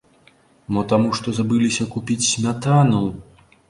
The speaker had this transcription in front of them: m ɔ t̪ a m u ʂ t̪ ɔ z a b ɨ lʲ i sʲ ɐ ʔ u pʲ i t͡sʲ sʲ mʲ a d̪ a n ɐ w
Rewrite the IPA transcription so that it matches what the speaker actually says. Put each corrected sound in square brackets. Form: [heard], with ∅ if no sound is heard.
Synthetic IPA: m ɔ t̪ a m u ʂ t̪ ɔ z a b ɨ lʲ i sʲ ɐ [k] u pʲ i t͡sʲ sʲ mʲ a [t̪] a n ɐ w